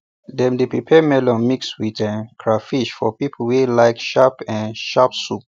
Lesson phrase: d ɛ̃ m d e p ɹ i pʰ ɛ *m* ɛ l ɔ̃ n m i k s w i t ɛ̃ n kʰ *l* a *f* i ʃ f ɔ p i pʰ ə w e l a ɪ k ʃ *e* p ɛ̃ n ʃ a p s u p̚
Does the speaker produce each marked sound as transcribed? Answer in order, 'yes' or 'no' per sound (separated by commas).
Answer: yes, no, yes, no